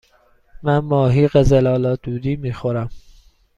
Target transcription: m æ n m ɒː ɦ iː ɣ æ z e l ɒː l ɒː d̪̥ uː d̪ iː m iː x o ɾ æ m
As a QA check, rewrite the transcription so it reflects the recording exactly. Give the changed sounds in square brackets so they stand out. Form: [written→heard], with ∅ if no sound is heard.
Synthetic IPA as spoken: m æ n m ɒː ɦ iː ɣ [æ→e] z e l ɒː l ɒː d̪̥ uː d̪ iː m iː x o ɾ æ m